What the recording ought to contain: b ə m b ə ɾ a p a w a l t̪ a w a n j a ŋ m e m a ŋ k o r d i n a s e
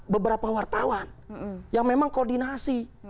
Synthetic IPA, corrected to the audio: b ə b ə ɾ a p a w a r t̪ a w a n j a ŋ m e m a ŋ k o r d i n a s i